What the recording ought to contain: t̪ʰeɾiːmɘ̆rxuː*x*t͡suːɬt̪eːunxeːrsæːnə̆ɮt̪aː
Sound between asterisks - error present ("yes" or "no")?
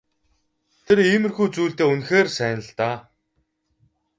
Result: yes